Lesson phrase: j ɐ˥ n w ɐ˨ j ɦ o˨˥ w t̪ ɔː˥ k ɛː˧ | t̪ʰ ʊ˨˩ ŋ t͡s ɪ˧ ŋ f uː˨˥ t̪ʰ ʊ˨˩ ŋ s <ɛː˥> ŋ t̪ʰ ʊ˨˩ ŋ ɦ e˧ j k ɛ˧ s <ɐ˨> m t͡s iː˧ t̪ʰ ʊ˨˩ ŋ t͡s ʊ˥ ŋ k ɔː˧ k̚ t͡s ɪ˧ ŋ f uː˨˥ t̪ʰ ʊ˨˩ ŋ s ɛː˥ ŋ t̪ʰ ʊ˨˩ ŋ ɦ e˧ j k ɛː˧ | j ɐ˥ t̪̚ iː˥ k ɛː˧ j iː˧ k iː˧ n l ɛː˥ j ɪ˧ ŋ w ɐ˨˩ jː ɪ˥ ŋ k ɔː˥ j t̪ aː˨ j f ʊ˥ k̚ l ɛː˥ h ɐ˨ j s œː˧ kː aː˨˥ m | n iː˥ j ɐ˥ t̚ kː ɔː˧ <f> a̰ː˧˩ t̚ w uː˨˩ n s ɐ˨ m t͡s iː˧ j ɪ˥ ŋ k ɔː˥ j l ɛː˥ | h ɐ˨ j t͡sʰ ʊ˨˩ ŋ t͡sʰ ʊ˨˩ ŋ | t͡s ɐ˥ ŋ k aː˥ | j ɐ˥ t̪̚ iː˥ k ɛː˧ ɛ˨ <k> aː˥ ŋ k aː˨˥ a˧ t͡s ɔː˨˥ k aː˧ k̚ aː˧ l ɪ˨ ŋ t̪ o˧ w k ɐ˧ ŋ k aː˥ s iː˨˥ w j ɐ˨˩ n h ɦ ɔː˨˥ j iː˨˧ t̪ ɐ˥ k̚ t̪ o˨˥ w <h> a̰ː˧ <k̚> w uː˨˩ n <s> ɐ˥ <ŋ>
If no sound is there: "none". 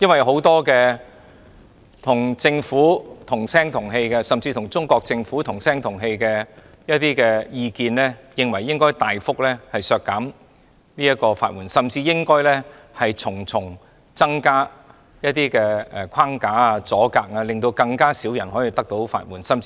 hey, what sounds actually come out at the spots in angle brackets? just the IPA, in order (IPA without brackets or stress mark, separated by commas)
ɛː˥, ɐ˨, f, kʰ, f, t̚, s, m